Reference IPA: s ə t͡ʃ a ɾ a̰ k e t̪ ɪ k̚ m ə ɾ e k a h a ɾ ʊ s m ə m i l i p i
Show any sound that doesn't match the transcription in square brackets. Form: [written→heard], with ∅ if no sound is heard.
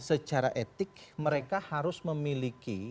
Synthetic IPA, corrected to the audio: s ə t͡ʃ a ɾ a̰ [k→ʔ] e t̪ ɪ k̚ m ə ɾ e k a h a ɾ ʊ s m ə m i l i [p→k] i